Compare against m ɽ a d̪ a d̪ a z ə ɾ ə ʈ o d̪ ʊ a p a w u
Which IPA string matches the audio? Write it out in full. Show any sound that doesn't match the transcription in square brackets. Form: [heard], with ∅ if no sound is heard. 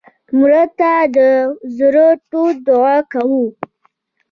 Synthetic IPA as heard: m [ɾ] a [t̪] a d̪ [ə] z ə ɾ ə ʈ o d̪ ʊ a [k] a w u